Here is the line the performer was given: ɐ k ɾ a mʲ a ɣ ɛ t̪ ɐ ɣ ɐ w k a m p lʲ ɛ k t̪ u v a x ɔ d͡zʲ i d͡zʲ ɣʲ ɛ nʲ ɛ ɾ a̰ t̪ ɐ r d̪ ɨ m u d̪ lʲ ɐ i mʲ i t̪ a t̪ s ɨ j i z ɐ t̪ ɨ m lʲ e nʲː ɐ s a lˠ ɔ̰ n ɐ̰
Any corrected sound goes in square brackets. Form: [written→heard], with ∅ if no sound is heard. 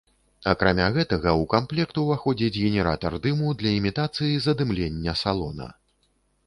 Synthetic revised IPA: ɐ k ɾ a mʲ a ɣ ɛ t̪ ɐ ɣ ɐ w k a m p lʲ ɛ k t̪ u v a x ɔ d͡zʲ i d͡zʲ ɣʲ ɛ nʲ ɛ ɾ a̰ t̪ ɐ r d̪ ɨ m u d̪ lʲ ɐ i mʲ i t̪ a t̪ s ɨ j i z ɐ [t̪→d̪] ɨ m lʲ e nʲː ɐ s a lˠ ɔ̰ n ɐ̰